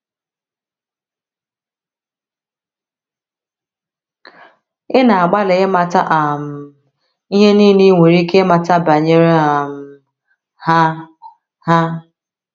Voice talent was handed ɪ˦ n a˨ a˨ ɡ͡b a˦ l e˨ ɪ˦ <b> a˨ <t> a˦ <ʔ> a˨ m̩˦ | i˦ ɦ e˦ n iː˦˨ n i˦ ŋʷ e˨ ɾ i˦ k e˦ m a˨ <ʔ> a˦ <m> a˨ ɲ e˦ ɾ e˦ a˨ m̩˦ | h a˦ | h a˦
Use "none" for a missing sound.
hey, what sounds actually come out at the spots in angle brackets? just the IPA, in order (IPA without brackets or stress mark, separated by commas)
m, t, ʔ, t, b